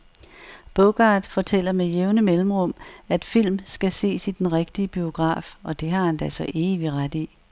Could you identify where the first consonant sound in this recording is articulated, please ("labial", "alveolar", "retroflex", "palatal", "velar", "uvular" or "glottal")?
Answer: labial